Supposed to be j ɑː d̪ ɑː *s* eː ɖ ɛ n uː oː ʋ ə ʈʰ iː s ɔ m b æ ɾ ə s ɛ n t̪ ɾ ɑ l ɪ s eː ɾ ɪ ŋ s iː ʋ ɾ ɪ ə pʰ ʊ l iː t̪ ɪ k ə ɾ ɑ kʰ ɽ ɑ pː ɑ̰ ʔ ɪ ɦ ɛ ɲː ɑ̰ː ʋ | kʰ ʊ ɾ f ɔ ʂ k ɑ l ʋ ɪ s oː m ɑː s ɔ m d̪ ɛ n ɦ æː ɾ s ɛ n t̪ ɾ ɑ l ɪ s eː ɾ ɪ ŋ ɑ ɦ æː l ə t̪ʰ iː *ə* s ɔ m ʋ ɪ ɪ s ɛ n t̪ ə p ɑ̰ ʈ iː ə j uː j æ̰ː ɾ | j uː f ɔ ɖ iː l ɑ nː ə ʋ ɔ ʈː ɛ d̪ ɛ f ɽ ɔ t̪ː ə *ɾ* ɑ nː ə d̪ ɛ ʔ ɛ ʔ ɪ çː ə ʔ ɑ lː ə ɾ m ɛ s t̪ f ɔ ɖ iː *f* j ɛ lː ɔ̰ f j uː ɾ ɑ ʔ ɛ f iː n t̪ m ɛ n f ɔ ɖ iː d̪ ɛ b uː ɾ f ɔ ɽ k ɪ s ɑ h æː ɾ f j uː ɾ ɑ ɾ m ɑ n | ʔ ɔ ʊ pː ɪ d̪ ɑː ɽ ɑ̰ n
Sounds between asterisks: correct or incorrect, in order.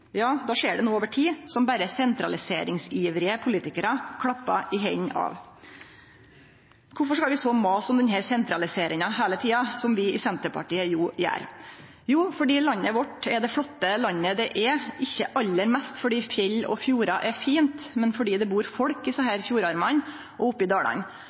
incorrect: ʂ, incorrect: ɑ, incorrect: l, correct

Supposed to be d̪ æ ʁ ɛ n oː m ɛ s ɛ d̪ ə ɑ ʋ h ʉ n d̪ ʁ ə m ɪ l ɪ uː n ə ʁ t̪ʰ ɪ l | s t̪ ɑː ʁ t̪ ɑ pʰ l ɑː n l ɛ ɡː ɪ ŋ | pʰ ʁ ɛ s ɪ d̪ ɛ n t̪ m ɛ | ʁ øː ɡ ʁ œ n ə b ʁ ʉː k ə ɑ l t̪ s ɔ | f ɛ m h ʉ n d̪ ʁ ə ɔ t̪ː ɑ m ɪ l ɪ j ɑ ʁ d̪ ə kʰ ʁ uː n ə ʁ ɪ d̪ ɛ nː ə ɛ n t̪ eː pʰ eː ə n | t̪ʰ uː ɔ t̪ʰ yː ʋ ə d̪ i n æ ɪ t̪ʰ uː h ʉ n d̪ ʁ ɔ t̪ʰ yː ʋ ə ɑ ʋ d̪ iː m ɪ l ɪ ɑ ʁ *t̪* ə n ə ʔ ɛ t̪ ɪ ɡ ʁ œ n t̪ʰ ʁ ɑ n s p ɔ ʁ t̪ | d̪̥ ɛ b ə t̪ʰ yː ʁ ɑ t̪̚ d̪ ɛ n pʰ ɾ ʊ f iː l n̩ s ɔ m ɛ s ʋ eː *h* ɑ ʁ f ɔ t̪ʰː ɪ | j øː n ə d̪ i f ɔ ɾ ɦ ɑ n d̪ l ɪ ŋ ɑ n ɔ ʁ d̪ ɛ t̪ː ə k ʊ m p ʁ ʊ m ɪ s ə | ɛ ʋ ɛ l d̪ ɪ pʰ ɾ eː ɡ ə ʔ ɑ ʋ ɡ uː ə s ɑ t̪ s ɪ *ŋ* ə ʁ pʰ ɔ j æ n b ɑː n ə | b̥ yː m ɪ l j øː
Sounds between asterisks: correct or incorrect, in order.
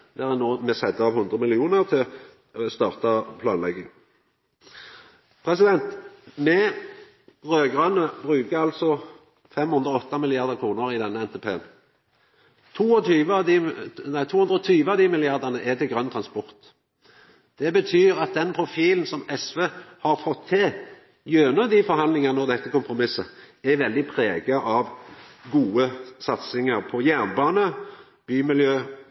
incorrect: d̪, correct, correct

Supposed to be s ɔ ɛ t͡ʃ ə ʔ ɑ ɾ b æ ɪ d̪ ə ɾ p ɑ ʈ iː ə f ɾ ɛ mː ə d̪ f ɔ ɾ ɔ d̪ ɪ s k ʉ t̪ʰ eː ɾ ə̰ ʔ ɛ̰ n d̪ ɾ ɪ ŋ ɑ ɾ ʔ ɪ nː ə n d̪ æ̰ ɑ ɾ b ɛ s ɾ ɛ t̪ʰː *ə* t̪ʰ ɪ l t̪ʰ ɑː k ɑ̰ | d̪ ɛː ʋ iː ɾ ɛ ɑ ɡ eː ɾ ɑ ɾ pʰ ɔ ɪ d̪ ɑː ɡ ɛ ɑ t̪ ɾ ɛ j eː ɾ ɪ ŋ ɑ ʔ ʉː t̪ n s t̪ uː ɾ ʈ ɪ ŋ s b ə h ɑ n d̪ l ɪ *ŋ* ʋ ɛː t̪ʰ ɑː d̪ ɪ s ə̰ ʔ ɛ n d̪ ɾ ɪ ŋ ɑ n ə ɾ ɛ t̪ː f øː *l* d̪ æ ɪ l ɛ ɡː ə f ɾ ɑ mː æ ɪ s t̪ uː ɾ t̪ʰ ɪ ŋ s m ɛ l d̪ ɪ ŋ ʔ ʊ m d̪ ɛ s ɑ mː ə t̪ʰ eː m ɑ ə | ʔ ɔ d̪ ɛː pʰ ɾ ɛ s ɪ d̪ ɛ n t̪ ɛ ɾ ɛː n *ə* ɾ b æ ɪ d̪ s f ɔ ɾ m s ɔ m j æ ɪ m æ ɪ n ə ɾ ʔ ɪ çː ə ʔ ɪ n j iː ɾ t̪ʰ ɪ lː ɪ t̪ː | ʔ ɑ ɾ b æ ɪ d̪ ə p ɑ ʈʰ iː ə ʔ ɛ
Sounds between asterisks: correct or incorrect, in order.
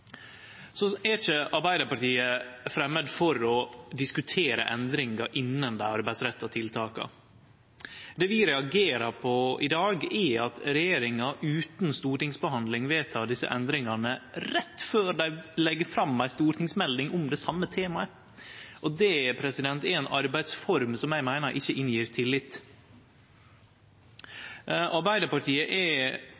incorrect: ɑ, correct, incorrect: ɾ, incorrect: ɑ

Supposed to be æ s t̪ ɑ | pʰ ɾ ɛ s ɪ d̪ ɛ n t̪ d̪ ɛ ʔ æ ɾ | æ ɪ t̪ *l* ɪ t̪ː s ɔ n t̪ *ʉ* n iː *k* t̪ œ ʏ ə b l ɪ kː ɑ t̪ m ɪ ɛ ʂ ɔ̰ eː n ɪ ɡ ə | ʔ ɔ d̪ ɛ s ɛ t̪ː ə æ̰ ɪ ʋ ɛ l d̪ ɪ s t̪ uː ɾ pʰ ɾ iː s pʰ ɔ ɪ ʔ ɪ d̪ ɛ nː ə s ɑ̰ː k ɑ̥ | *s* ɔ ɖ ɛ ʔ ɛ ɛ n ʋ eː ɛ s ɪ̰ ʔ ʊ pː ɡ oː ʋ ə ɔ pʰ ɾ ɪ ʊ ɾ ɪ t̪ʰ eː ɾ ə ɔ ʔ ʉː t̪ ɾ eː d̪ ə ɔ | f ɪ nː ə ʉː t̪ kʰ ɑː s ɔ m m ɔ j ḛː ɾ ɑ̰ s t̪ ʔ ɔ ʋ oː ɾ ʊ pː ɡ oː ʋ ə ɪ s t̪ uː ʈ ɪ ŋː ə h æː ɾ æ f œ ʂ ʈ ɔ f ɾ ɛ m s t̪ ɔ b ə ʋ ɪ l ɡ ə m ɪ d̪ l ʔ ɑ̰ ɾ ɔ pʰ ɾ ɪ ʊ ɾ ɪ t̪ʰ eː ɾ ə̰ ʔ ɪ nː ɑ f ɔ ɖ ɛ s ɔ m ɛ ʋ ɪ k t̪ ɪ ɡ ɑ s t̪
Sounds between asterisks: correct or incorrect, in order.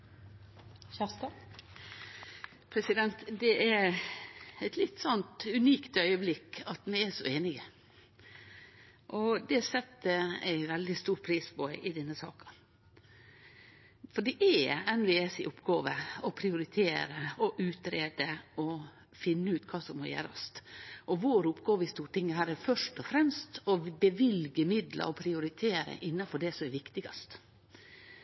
correct, correct, correct, incorrect: f

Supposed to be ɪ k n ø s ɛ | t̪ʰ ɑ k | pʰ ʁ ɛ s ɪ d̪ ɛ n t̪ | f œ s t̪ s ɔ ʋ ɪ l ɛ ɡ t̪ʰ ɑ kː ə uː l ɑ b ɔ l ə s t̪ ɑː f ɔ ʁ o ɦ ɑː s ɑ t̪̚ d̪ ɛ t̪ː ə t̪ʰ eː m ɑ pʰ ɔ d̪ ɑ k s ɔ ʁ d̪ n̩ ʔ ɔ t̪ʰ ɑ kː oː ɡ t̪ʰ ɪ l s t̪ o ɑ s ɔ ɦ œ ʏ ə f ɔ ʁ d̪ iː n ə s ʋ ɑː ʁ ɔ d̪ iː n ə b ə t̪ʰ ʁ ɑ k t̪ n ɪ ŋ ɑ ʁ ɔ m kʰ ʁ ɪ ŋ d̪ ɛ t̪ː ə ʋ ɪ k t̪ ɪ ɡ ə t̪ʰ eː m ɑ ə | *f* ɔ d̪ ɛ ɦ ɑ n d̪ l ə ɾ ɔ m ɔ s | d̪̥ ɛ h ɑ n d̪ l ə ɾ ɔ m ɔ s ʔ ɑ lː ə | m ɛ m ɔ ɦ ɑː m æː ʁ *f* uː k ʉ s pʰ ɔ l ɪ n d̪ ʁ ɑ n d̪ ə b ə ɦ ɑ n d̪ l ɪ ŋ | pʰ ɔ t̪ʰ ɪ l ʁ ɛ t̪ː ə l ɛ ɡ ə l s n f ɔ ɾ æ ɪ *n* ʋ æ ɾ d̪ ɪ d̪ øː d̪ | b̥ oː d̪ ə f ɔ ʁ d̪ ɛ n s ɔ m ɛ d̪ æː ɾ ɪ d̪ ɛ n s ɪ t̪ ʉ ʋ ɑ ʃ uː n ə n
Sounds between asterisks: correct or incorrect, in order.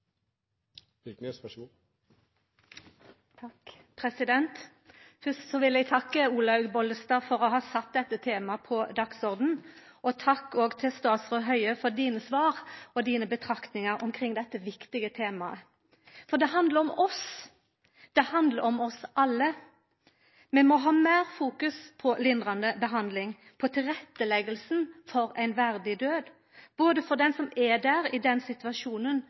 correct, correct, correct

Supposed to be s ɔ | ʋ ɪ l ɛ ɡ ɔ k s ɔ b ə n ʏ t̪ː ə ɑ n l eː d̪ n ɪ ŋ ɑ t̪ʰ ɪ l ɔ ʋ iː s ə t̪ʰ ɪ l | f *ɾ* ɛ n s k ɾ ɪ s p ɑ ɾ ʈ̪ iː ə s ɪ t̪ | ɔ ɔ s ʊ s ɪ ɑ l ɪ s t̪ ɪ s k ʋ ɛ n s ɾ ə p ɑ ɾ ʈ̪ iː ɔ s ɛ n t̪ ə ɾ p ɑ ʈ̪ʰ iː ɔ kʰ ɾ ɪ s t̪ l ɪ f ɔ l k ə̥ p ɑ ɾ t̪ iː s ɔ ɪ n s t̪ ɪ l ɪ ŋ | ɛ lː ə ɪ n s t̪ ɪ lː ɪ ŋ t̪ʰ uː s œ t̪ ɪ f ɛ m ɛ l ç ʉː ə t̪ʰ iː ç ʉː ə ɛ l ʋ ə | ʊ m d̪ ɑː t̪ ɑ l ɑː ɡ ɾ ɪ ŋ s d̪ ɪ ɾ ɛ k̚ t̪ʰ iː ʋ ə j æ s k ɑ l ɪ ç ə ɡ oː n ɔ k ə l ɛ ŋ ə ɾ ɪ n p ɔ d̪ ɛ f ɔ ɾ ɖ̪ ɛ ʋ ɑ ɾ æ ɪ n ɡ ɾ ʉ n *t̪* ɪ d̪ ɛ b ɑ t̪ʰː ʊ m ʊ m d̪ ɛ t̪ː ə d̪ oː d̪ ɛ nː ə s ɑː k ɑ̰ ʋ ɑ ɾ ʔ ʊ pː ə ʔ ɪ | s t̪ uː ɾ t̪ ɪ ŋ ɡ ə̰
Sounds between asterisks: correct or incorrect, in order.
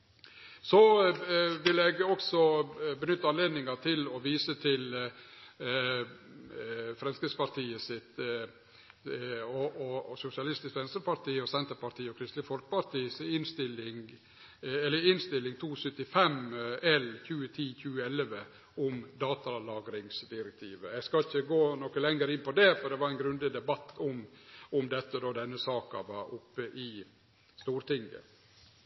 correct, incorrect: d̪

